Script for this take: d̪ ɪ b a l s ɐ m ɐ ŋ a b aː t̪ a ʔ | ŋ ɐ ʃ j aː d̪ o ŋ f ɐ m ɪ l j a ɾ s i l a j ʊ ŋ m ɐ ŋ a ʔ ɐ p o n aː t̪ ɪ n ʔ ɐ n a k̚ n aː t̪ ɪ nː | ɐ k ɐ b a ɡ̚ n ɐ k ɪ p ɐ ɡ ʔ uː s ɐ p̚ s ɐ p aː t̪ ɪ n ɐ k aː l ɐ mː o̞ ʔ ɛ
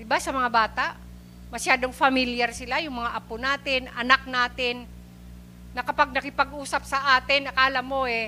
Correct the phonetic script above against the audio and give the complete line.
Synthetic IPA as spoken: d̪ ɪ b a s ɐ m ɐ ŋ a b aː t̪ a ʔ | m ɐ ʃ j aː d̪ o ŋ f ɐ m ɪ l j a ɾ s ɪ l a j ʊ ŋ m ɐ ŋ a ʔ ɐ p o n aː t̪ ɪ n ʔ ɐ n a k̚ n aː t̪ ɪ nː | ɐ k ɐ p a ɡ̚ n ɐ k ɪ p ɐ ɡ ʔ uː s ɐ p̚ s ɐ ʔ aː t̪ ɪ n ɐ k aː l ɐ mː o̞ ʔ ɛ